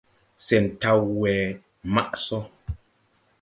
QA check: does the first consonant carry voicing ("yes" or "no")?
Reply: no